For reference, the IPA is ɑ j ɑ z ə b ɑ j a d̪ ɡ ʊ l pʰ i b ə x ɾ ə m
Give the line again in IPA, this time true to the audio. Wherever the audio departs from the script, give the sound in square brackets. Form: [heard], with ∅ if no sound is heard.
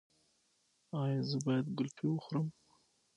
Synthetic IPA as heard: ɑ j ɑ z ə b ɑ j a d̪ ɡ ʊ l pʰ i [w] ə x ɾ ə m